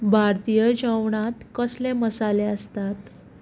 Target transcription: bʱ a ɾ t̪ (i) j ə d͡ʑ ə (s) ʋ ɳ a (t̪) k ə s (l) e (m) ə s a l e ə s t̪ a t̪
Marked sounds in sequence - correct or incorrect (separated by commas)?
correct, incorrect, correct, correct, correct